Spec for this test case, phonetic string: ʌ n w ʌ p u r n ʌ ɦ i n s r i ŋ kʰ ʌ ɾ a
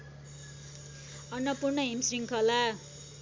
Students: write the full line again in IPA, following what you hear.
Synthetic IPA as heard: ʌ n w ʌ p u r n ʌ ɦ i m s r i ŋ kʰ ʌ l a